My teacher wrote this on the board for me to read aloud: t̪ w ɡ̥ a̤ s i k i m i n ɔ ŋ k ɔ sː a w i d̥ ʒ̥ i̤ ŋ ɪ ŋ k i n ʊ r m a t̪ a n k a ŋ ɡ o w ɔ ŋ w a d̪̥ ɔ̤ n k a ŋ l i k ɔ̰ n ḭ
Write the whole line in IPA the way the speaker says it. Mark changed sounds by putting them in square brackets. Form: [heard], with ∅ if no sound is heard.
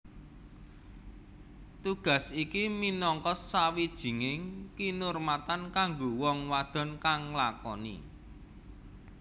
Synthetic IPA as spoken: t̪ [u] ɡ̥ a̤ s i k i m i n ɔ ŋ k ɔ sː a w i d̥ ʒ̥ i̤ ŋ ɪ ŋ k i n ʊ r m a t̪ a n k a ŋ ɡ o w ɔ ŋ w a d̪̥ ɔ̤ n k a ŋ l [a] k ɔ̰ n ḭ